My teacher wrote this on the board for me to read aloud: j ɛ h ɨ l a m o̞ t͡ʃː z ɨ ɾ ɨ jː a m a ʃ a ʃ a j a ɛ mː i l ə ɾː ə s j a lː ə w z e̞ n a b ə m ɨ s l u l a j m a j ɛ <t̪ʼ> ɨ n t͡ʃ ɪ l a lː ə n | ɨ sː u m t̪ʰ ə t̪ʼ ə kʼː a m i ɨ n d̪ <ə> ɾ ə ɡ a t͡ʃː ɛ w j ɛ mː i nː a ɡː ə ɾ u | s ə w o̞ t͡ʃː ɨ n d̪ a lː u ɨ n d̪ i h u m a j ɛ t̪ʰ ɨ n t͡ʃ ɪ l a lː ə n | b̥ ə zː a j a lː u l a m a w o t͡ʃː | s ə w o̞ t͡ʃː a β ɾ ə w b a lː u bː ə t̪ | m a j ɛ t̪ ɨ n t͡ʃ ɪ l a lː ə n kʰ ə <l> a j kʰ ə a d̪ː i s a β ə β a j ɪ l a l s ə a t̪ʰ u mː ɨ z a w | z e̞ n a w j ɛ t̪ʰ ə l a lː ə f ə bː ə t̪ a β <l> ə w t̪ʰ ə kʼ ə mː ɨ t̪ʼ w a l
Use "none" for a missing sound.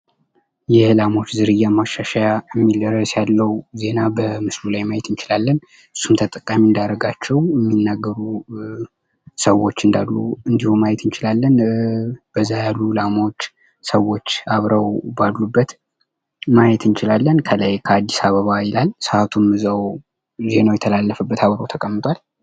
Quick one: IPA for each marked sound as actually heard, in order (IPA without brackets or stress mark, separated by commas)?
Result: t̪, a, l, ɾ